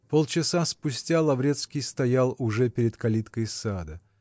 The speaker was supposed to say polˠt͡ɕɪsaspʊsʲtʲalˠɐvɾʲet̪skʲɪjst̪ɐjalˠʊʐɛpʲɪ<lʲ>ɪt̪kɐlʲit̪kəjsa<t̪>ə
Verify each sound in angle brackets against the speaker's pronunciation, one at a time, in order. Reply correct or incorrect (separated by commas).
incorrect, incorrect